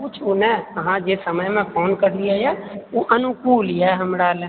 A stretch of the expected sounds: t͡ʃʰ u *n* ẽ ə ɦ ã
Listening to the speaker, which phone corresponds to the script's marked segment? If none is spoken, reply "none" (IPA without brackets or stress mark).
n